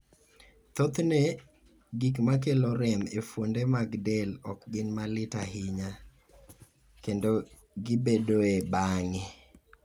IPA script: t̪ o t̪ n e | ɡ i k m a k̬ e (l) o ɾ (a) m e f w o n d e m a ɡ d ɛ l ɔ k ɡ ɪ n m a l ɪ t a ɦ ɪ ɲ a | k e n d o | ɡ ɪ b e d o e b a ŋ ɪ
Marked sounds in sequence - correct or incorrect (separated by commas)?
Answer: correct, incorrect